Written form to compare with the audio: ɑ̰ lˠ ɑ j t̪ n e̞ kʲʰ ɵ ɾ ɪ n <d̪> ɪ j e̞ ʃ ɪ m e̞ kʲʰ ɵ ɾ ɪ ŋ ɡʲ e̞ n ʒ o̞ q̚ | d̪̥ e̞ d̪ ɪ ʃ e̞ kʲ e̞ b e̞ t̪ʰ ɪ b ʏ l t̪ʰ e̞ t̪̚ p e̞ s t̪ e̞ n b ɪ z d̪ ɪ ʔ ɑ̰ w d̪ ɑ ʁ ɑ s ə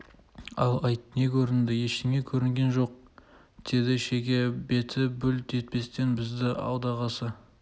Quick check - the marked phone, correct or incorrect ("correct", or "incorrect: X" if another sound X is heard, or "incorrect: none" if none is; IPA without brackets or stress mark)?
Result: correct